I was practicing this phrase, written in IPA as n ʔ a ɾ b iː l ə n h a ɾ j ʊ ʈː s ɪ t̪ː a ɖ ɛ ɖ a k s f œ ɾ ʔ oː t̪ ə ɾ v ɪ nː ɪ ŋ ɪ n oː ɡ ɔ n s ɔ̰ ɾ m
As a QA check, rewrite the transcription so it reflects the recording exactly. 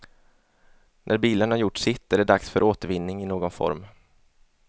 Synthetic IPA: n ʔ æ ɾ b iː l ə n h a ɾ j ʊ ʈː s ɪ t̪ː æ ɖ ɛ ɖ a k s f œ ɾ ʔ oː t̪ ə ɾ v ɪ nː ɪ ŋ ɪ n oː ɡ ɔ n f ɔ̰ ɾ m